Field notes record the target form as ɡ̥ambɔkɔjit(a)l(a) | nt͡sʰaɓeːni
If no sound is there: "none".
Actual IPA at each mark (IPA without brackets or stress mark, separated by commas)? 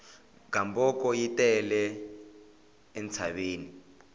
ɛ, ɛ